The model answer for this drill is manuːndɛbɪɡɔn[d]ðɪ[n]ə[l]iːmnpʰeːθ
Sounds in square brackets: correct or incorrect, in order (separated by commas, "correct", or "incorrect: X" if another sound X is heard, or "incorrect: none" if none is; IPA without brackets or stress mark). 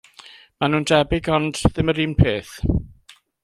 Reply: correct, incorrect: m, incorrect: ɾ